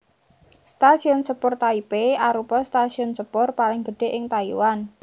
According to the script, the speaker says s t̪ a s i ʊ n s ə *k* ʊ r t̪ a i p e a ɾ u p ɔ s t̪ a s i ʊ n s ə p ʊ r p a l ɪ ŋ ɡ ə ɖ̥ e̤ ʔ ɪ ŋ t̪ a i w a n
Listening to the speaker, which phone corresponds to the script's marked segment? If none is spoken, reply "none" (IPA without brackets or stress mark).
p